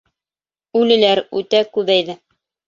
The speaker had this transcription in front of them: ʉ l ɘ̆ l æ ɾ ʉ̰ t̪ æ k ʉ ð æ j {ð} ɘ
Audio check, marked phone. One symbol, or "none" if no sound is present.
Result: ð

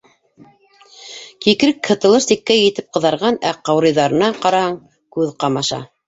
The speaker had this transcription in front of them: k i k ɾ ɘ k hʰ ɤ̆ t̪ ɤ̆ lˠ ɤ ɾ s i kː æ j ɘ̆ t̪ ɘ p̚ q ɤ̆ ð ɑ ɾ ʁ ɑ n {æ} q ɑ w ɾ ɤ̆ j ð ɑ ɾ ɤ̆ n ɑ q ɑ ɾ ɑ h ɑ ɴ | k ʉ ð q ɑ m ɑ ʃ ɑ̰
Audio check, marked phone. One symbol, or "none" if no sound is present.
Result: æ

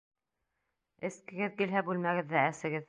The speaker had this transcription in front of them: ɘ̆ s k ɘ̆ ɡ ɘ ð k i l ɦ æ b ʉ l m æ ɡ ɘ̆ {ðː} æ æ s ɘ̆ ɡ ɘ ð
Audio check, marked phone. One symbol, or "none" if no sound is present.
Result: ðː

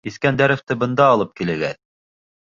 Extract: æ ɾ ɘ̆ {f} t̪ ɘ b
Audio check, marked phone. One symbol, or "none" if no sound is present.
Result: f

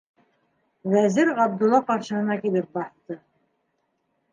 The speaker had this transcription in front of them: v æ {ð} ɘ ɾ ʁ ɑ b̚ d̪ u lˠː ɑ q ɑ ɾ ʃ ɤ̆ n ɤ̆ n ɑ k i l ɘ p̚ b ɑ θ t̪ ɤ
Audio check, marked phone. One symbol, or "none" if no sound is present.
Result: z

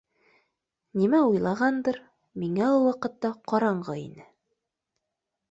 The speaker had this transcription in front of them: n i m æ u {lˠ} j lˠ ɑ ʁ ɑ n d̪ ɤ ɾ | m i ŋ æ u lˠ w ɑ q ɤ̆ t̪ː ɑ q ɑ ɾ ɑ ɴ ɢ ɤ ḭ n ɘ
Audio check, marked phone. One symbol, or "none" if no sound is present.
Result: none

